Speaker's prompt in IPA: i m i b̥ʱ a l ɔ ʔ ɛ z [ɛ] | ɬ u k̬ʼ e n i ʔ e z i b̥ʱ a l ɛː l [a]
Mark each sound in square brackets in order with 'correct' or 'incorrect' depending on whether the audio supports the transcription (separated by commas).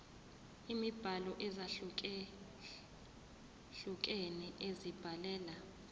incorrect, correct